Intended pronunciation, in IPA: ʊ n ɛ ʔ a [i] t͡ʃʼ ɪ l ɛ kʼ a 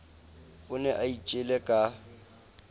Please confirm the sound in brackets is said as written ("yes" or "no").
yes